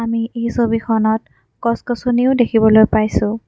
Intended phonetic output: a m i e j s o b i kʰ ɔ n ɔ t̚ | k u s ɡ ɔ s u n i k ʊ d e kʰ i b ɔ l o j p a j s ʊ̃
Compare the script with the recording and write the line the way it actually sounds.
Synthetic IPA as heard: a m i e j s o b i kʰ ɔ n ɔ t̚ | k ɔ s k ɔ s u n i ʊ d e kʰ i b ɔ l o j p a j s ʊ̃